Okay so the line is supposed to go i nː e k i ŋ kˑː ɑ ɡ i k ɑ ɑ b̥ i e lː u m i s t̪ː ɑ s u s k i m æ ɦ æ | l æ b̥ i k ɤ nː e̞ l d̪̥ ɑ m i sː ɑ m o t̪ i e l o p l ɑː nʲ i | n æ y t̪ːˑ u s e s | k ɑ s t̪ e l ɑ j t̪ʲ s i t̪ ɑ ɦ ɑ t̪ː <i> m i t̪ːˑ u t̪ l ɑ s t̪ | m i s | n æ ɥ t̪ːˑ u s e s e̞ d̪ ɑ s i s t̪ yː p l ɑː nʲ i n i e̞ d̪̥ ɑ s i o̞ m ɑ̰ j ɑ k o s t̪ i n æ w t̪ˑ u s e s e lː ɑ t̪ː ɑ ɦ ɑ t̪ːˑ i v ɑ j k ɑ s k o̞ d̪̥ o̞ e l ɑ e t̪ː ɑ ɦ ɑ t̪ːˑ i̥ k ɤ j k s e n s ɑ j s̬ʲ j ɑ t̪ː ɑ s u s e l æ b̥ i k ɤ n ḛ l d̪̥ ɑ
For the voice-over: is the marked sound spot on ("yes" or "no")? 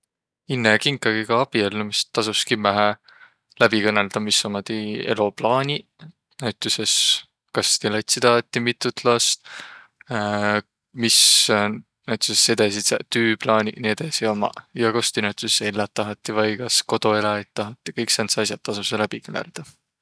yes